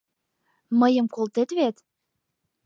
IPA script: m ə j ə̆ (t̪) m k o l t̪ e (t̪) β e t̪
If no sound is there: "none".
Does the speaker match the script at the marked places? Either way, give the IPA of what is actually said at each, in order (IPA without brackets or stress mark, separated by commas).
none, t̪